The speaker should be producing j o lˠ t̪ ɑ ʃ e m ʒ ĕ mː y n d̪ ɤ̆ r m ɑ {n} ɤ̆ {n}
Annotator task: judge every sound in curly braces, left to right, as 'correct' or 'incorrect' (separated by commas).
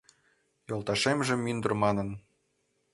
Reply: correct, correct